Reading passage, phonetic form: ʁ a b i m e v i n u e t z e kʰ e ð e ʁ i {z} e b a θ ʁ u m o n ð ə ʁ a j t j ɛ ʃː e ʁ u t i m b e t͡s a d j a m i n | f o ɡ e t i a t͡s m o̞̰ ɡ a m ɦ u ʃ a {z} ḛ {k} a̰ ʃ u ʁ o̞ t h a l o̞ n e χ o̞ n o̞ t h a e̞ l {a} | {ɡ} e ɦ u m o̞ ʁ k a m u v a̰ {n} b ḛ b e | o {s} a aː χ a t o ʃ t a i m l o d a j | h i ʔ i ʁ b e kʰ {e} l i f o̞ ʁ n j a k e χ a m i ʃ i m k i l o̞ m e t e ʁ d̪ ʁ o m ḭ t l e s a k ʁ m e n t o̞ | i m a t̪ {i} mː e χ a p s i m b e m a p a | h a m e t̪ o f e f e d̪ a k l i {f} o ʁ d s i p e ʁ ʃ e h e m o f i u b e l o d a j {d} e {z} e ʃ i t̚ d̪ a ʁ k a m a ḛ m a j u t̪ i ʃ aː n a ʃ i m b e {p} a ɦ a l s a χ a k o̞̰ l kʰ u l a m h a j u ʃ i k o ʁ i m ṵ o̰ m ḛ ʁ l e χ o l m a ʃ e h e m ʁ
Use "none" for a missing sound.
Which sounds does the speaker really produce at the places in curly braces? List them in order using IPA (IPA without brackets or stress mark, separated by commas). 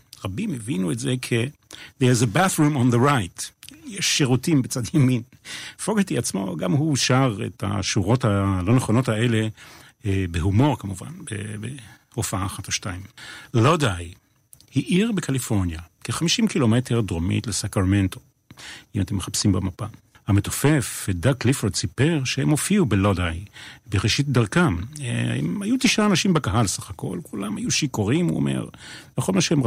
z, ʁ, t, e, b, n, f, a, e, f, b, ʁ, k